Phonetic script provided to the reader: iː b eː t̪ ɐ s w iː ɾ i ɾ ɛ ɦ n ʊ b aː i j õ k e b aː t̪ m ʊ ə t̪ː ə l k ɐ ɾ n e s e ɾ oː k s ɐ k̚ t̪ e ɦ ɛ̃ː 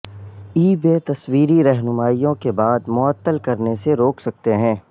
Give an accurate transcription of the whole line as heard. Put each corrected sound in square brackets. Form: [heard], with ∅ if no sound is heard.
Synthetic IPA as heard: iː b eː t̪ ɐ s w iː ɾ i ɾ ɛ ɦ n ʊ [m] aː i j õ k e b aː [d̪] m ʊ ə t̪ː ə l k ɐ ɾ n e s e ɾ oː k s ɐ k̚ t̪ e ɦ ɛ̃ː